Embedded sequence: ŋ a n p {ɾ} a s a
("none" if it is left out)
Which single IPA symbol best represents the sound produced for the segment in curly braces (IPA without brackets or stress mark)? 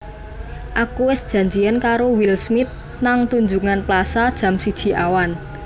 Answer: l